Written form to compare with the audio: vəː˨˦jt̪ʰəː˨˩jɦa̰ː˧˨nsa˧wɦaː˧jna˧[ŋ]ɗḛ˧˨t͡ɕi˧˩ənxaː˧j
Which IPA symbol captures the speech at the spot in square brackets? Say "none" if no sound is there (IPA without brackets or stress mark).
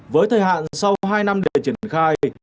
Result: m